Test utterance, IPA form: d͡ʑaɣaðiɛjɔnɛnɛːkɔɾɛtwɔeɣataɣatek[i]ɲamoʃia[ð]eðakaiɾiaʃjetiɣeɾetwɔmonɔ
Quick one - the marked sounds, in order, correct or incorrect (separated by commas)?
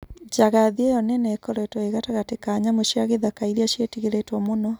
incorrect, incorrect